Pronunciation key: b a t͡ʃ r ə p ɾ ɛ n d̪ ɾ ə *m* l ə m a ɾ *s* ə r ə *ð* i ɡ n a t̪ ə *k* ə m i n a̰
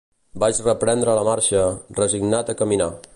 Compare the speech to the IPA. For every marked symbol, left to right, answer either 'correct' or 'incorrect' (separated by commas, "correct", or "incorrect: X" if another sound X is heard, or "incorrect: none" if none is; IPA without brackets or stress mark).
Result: incorrect: none, incorrect: ʃ, incorrect: z, correct